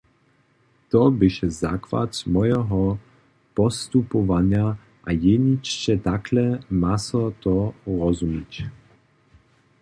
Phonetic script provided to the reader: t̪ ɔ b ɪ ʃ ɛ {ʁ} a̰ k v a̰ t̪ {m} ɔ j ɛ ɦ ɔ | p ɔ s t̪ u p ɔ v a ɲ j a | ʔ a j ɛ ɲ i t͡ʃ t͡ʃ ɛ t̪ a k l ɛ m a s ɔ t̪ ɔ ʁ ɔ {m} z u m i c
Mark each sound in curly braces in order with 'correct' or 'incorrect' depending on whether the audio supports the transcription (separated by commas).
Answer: incorrect, correct, incorrect